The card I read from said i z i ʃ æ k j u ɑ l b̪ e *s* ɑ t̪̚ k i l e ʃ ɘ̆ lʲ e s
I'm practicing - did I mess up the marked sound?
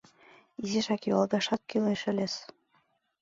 yes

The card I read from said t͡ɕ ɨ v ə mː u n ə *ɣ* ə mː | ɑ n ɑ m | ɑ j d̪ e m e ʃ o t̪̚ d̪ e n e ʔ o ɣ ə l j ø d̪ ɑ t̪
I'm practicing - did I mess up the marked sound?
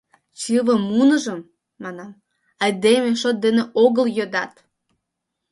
yes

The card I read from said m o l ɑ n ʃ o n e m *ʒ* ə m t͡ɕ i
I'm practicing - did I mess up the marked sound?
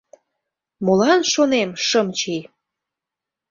yes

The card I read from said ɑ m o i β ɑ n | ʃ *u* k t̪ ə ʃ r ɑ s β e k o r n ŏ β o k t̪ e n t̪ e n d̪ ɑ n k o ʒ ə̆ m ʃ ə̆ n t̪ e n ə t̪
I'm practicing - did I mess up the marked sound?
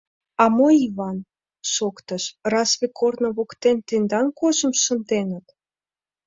yes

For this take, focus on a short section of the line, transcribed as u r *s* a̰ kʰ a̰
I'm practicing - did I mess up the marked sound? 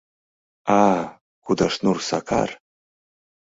no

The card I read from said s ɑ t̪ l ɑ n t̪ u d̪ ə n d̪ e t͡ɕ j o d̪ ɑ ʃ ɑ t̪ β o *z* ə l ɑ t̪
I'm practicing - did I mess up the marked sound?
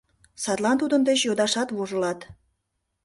yes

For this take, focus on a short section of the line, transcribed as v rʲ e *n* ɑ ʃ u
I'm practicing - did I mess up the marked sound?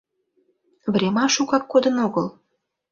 yes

